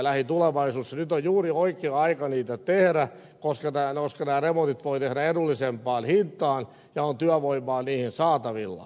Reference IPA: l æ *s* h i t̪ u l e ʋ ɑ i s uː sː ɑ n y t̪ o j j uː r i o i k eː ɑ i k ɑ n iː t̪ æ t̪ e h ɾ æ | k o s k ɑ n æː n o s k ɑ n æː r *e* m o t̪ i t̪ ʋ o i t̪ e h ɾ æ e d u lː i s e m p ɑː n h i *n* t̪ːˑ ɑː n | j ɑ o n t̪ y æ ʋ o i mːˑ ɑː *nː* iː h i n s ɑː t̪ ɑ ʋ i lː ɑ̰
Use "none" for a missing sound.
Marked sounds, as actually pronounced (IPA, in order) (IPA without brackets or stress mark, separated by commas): none, e, n, n